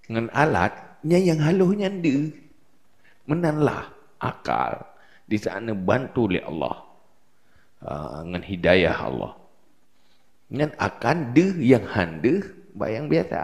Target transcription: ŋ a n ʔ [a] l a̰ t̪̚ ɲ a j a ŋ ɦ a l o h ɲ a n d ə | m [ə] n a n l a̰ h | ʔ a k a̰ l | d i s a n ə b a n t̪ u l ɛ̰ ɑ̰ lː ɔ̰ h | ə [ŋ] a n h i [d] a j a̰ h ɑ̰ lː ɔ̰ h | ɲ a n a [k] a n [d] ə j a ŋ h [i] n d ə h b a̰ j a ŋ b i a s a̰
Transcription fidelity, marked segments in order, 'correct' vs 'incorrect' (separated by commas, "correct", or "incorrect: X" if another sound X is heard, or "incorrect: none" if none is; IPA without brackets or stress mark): correct, correct, correct, correct, correct, correct, incorrect: a